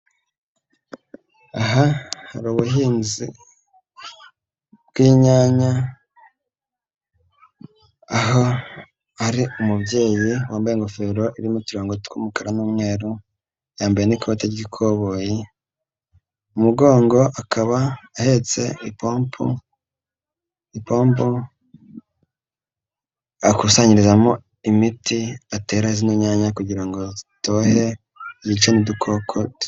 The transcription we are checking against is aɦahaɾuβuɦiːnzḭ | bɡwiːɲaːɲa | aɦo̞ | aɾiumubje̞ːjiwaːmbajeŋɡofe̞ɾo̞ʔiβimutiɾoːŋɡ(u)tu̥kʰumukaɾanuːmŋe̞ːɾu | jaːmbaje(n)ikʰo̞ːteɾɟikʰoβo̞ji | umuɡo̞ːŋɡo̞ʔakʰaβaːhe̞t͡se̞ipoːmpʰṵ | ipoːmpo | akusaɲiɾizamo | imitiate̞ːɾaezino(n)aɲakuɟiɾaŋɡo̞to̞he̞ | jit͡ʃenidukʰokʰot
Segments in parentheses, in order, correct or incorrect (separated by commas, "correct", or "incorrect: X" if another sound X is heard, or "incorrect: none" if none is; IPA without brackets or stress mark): incorrect: o, correct, incorrect: ɲ